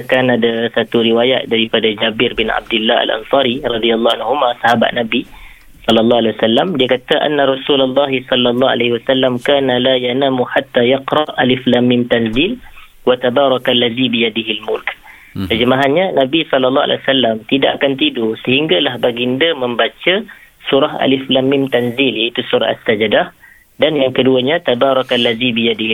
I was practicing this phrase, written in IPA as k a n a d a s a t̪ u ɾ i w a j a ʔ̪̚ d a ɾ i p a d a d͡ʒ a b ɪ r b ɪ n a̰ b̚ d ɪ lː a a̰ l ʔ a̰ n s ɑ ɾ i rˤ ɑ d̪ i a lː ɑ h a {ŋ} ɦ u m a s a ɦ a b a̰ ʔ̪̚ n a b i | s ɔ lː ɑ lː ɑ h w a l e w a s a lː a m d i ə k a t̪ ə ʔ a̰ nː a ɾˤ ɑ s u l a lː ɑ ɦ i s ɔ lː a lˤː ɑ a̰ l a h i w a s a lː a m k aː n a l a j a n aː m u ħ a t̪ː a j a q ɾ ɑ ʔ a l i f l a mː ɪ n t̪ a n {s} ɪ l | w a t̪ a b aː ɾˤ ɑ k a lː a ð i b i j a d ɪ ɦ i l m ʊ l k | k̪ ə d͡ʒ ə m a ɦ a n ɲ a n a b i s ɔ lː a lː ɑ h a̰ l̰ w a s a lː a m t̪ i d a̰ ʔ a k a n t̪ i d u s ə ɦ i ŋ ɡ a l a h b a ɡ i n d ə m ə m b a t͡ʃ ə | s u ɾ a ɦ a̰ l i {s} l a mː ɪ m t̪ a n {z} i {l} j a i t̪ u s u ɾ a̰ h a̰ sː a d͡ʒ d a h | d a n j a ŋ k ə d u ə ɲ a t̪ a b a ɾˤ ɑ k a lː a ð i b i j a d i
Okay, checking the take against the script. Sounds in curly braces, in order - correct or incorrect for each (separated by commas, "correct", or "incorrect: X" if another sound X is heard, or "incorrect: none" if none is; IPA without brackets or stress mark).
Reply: incorrect: n, incorrect: z, incorrect: f, correct, correct